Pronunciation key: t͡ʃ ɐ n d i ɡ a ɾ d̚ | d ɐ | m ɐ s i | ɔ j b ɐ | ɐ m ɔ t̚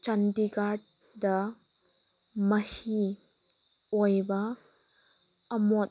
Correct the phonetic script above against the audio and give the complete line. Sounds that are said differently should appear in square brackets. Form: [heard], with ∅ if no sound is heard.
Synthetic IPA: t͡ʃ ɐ n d i ɡ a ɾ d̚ | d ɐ | m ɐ [h] i | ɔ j b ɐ | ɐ m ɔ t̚